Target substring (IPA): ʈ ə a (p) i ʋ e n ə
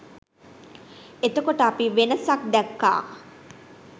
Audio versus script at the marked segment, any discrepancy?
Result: no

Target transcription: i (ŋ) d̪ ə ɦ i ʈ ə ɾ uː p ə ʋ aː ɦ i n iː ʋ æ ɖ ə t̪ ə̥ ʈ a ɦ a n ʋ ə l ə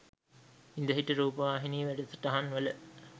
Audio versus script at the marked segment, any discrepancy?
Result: yes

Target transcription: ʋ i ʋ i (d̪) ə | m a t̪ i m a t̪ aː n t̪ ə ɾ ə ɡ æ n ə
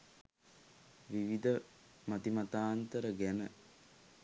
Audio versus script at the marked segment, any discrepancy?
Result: no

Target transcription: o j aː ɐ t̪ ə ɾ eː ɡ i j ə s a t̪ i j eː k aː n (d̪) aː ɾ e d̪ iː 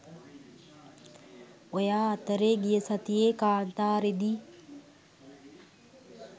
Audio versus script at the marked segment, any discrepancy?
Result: yes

